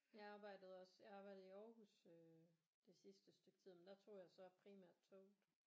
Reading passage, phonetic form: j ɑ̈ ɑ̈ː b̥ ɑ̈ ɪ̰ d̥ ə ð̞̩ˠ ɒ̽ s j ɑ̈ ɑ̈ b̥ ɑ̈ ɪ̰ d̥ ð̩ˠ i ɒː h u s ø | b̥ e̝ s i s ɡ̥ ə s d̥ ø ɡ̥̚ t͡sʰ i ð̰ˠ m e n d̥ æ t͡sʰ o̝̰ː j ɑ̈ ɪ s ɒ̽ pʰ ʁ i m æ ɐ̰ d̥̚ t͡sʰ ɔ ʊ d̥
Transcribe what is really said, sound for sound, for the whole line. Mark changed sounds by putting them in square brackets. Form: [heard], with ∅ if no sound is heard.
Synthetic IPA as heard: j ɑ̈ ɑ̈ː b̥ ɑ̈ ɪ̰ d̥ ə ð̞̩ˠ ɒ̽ s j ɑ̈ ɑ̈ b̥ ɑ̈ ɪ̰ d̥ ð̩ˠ i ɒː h u s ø | [d̥] e̝ s i s [d̥] ə s d̥ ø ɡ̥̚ t͡sʰ i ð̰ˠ m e n d̥ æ t͡sʰ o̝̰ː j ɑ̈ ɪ s ɒ̽ pʰ ʁ i m æ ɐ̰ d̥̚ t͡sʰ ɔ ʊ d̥